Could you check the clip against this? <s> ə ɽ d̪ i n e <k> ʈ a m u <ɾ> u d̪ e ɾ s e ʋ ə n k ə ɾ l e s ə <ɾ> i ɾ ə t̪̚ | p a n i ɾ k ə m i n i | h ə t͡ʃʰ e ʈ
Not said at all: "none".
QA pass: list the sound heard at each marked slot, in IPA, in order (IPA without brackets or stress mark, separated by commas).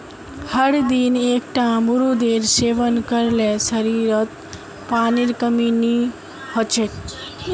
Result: h, k, ɾ, ɾ